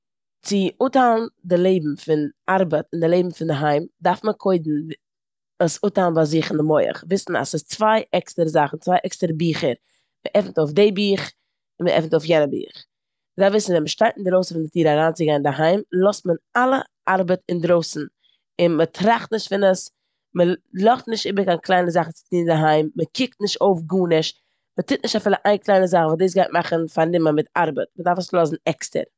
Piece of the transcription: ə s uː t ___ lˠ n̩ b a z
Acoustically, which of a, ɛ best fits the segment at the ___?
a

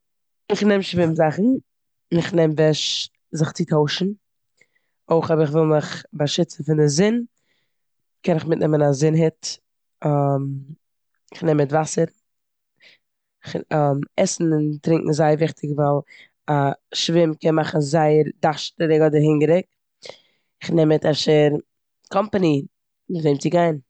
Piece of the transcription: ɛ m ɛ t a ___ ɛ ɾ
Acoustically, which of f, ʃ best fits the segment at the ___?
ʃ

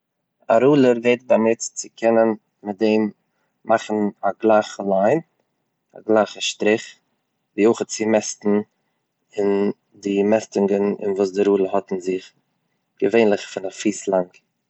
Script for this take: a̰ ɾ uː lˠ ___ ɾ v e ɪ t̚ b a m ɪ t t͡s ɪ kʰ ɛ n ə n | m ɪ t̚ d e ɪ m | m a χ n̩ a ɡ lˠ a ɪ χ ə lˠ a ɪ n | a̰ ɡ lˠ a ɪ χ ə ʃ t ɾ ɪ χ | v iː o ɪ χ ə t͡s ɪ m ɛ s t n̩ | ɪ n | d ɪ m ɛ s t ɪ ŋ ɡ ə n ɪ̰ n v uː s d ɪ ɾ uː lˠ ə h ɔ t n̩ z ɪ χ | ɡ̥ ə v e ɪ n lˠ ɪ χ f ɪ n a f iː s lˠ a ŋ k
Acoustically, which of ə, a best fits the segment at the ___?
ə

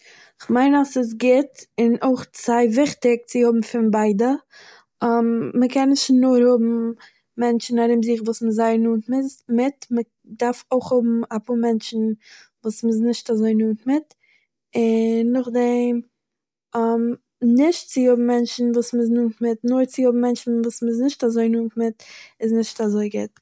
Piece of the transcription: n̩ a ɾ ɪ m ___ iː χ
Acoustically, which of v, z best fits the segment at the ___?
z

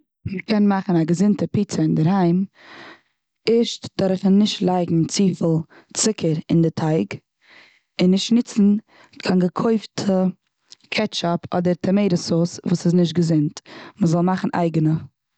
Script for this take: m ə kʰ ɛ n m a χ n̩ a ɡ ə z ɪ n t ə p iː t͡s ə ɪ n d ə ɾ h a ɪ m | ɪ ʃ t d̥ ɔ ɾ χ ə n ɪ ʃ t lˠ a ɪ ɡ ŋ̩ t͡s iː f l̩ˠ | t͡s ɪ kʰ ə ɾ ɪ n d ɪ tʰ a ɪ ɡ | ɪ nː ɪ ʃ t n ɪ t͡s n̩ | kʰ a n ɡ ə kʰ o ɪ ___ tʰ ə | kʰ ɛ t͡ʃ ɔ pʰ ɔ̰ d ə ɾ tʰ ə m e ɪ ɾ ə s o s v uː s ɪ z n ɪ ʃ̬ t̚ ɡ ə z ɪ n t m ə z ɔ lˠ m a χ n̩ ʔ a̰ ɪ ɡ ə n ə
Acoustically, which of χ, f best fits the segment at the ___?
f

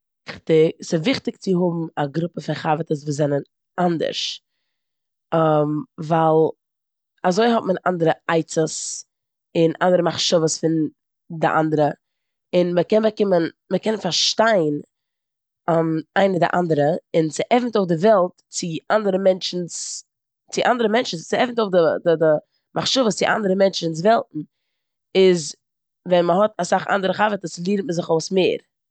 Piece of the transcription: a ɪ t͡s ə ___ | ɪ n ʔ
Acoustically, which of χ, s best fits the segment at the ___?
s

